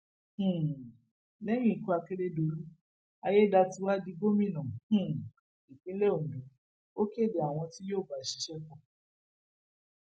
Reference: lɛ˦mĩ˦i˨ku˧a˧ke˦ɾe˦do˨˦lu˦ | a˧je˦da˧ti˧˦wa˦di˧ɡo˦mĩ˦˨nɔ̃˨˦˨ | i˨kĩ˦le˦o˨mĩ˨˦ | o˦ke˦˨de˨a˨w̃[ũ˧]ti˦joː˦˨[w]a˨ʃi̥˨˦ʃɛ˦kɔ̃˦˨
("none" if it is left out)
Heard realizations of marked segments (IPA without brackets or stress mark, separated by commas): ɔ̃˧, b